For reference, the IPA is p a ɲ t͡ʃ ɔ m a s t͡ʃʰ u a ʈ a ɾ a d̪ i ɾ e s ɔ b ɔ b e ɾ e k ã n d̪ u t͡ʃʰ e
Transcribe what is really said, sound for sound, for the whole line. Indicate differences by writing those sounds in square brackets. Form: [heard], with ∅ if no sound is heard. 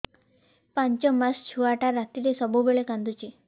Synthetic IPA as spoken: p a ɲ t͡ʃ ɔ m a s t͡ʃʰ u a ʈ a ɾ a [t̪] i ɾ e s ɔ b [u] b e [ɭ] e k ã n d̪ u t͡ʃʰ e

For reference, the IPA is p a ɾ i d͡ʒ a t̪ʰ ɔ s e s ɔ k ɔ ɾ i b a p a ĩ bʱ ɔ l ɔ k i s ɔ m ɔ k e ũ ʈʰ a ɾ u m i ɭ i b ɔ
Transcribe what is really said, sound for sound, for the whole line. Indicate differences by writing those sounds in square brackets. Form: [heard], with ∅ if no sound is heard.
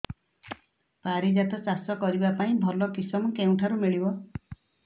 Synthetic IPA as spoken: p a ɾ i d͡ʒ a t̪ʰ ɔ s [a] s ɔ k ɔ ɾ i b a p a ĩ bʱ ɔ l ɔ k i s ɔ m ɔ k e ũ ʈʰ a ɾ u m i ɭ i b ɔ

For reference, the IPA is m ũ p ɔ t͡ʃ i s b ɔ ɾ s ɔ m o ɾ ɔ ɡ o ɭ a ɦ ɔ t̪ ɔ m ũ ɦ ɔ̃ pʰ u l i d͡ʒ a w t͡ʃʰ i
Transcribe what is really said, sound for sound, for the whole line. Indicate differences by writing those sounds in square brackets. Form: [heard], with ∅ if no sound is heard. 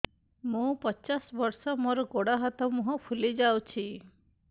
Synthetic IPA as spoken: m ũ p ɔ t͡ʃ [a] s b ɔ ɾ s ɔ m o ɾ ɔ ɡ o [ɽ] a ɦ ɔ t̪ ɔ m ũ ɦ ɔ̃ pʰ u l i d͡ʒ a w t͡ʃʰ i

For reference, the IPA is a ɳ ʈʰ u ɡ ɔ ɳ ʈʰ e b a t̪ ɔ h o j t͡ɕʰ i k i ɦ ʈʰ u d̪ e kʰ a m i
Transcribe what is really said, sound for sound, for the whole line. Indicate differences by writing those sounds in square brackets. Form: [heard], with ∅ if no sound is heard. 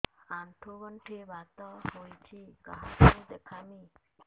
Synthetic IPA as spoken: a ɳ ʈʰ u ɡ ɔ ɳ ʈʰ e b a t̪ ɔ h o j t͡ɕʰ i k [a] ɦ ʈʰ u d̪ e kʰ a m i

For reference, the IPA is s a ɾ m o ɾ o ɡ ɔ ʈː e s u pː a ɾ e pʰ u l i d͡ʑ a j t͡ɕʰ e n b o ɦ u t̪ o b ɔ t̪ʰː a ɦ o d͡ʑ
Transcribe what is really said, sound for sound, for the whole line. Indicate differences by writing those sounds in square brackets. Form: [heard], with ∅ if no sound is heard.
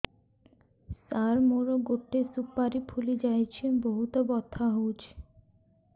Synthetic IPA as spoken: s a ɾ m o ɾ o ɡ [o] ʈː e s u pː a ɾ [i] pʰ u l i d͡ʑ a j t͡ɕʰ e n b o ɦ u t̪ o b ɔ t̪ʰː a ɦ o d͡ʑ

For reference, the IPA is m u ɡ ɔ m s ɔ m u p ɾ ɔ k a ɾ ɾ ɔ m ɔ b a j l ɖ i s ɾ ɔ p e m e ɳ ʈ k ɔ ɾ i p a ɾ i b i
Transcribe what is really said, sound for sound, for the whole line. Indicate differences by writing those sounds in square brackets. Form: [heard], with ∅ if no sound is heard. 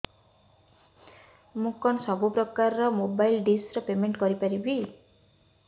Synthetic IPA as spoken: m u [k] ɔ [n] s ɔ [b] u p ɾ ɔ k a ɾ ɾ ɔ m [o] b a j l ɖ i s ɾ ɔ p e m e ɳ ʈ k ɔ ɾ i p a ɾ i b i

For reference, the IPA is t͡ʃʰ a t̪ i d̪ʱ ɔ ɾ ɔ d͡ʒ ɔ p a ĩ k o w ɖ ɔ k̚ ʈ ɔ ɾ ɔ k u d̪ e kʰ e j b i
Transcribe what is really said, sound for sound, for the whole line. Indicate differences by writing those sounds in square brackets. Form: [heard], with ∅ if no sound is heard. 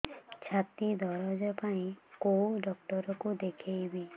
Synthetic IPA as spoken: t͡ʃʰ a t̪ i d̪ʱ ɔ ɾ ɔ d͡ʒ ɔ p a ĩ k o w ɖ ɔ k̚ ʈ ɔ ɾ ɔ k u d̪ e kʰ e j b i

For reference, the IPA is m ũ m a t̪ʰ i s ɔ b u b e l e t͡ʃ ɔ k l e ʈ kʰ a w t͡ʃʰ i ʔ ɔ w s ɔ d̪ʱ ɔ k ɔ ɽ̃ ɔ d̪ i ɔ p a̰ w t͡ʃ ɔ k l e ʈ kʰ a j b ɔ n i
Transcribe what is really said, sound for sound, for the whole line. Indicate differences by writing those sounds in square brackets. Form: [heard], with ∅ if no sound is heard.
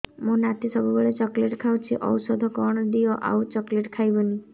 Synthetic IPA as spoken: m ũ [n] a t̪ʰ i s ɔ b u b e [ɭ] e t͡ʃ ɔ k l e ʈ kʰ a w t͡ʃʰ i ʔ ɔ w s ɔ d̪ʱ ɔ k ɔ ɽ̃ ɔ d̪ i ɔ [ʔ] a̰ w t͡ʃ ɔ k l e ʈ kʰ a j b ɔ n i

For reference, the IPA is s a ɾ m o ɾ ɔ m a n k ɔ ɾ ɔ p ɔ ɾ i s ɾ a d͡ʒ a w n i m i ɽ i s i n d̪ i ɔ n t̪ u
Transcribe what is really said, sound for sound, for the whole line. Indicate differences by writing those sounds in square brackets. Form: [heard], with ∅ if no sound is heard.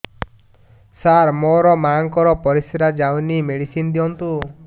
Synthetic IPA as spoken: s a ɾ m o ɾ ɔ m a [ŋ] k ɔ ɾ ɔ p ɔ ɾ i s ɾ a d͡ʒ a w n i m [e] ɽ i s i n d̪ i ɔ n t̪ u

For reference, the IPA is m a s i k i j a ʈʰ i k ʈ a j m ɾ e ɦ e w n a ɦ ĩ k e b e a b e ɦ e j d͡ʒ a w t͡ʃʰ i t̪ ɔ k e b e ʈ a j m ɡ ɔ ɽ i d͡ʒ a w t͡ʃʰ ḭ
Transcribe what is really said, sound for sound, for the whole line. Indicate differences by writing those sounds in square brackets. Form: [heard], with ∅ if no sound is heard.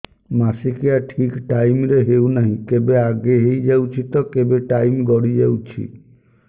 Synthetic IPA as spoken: m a s i k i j a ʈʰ i k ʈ a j m ɾ e ɦ e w n a ɦ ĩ k e b e a [ɡ] e ɦ e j d͡ʒ a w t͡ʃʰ i t̪ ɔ k e b e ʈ a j m ɡ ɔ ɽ i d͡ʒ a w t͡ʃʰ ḭ

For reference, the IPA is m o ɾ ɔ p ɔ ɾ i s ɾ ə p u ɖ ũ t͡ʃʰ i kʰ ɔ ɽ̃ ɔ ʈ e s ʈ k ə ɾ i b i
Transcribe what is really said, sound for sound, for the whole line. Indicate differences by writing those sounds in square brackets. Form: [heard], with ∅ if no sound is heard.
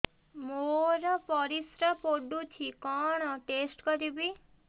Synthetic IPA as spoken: m o ɾ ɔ p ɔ ɾ i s ɾ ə p [o] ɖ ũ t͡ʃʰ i [k] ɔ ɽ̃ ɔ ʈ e s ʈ k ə ɾ i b i

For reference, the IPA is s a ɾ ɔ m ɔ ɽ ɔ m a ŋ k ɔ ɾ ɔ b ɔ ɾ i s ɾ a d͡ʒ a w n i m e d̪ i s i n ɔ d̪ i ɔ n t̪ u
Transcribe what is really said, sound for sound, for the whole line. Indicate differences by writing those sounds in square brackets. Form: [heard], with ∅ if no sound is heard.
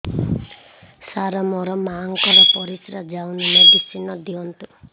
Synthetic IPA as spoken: s a ɾ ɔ m ɔ [ɾ] ɔ m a ŋ k ɔ ɾ ɔ [p] ɔ ɾ i s ɾ a d͡ʒ a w n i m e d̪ i s i n ɔ d̪ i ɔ n t̪ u

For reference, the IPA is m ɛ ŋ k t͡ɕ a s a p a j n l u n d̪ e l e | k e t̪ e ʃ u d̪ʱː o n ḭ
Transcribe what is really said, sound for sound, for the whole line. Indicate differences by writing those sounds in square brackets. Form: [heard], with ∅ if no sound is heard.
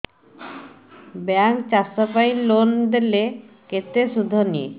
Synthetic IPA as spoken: [b] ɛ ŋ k t͡ɕ a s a p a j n l [o] n d̪ e l e | k e t̪ e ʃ u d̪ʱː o n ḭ

